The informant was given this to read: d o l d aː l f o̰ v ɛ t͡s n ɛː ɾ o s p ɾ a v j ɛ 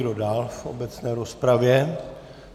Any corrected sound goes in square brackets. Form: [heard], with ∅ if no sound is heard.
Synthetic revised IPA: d o [∅] d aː l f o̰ [b] ɛ t͡s n ɛː ɾ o s p ɾ a v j ɛ